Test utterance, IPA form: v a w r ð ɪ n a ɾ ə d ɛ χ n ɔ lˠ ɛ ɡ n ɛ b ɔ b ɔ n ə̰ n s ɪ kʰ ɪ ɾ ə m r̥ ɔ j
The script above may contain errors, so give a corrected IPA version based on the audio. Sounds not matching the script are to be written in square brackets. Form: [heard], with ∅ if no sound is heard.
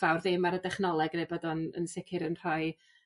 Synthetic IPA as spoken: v a w r ð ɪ [m] a ɾ ə d ɛ χ n ɔ lˠ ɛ ɡ n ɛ b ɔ [d] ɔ n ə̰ n s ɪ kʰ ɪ ɾ ə [n] r̥ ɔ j